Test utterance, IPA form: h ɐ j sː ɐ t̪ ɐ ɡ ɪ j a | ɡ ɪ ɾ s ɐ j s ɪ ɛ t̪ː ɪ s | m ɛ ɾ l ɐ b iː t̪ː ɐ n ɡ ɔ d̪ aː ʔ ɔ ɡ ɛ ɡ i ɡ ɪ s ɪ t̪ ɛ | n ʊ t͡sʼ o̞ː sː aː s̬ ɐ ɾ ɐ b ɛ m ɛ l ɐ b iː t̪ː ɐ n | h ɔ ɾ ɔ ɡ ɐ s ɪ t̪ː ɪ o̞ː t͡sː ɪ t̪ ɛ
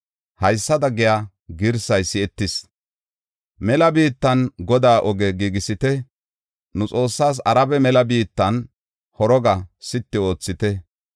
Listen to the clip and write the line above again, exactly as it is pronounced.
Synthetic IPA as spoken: h ɐ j sː ɐ d̪ ɐ ɡ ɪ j a | ɡ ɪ ɾ s ɐ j s ɪ ɛ t̪ː ɪ s | m ɛ l ɐ b iː t̪ː ɐ n ɡ ɔ d̪ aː ʔ ɔ ɡ ɛ ɡ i ɡ ɪ s ɪ t̪ ɛ | n ʊ t͡sʼ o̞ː sː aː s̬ ɐ ɾ ɐ b ɛ m ɛ l ɐ b iː t̪ː ɐ n | h ɔ ɾ ɔ ɡ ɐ s ɪ t̪ː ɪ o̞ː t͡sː ɪ t̪ ɛ